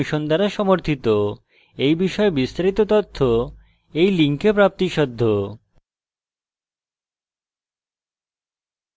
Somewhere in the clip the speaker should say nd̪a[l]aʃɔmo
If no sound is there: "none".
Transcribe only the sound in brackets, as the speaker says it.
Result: ɾ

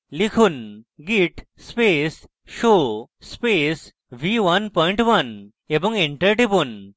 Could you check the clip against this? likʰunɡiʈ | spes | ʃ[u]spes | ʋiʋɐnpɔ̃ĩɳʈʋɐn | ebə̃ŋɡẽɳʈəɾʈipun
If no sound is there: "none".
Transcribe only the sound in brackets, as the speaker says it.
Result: o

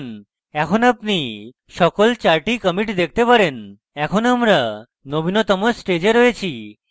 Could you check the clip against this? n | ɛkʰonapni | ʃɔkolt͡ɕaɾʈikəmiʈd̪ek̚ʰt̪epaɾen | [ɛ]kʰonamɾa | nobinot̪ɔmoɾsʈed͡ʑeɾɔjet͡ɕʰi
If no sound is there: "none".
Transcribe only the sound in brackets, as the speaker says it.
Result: ɛ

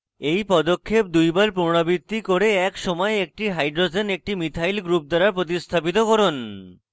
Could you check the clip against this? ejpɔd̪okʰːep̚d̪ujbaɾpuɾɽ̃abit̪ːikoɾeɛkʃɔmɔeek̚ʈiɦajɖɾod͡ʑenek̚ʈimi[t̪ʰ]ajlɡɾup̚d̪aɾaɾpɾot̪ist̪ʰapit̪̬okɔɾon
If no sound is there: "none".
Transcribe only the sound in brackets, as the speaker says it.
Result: t̪ʰ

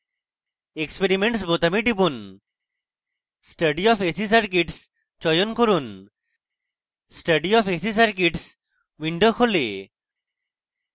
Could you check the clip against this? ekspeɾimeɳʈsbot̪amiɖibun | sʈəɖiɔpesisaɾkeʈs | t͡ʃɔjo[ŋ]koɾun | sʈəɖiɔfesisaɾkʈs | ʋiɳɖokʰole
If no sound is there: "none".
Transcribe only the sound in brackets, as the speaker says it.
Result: n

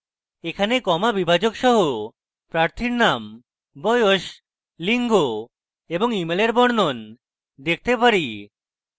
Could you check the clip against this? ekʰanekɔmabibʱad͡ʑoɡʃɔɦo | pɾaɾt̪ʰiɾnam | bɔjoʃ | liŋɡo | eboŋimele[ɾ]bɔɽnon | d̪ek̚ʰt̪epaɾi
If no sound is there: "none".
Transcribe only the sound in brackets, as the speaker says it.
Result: ɾ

